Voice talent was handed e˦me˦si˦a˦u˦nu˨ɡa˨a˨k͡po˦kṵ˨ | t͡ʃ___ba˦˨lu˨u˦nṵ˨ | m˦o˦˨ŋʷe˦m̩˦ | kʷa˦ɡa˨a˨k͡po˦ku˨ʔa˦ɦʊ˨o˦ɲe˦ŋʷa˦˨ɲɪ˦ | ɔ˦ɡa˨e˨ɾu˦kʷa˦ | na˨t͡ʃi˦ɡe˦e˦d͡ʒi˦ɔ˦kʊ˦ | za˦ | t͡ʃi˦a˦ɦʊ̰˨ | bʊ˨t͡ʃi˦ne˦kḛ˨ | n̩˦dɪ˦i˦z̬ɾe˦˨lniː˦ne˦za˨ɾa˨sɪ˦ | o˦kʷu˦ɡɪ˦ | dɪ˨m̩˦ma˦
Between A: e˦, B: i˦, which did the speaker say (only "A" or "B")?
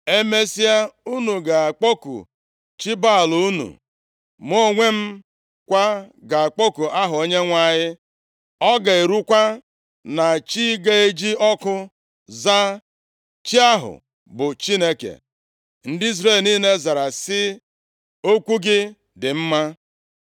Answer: B